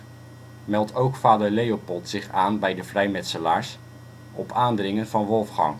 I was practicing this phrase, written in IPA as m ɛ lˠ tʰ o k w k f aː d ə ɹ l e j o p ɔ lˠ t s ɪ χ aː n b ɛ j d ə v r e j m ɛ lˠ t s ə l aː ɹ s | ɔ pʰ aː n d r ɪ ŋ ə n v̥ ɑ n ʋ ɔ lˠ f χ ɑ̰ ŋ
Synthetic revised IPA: m ɛ lˠ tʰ o w k f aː d ə ɹ l e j o p ɔ lˠ t s ɪ χ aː n b ɛ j d ə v r ɛ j m ɛ t s ə l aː ɹ s | ɔ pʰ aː n d r ɪ ŋ ə n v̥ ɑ n ʋ ɔ lˠ f χ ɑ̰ ŋ